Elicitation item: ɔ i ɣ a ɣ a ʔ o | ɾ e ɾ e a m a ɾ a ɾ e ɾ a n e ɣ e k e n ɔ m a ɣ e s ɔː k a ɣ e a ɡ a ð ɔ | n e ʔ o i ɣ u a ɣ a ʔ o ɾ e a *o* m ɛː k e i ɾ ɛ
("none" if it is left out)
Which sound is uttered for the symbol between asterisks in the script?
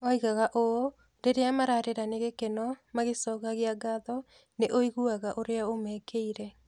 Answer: o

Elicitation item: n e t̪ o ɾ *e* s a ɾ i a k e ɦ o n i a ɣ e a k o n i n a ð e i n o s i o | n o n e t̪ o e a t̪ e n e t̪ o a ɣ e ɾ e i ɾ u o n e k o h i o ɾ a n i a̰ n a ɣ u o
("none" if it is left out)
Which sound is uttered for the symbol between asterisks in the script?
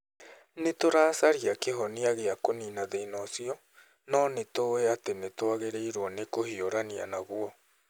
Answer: a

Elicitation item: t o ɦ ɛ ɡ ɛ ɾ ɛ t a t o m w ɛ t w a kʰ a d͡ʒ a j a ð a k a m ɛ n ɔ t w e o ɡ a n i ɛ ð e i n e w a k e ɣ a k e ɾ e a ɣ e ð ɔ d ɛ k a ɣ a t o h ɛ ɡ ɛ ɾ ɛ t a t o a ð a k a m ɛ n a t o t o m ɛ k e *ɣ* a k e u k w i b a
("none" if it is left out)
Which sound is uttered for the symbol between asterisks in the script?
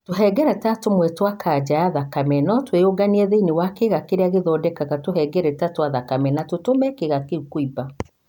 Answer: ɣ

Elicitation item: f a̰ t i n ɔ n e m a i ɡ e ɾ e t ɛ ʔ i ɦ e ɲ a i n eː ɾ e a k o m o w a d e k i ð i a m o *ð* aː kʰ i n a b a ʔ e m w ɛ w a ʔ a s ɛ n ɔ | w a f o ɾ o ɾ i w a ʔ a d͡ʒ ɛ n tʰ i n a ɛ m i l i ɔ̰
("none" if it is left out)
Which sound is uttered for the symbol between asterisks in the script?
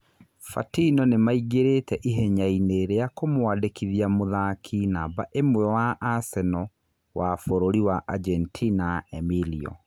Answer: ð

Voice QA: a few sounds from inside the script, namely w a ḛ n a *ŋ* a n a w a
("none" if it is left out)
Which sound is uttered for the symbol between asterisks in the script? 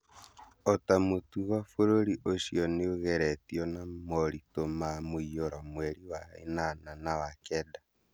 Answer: n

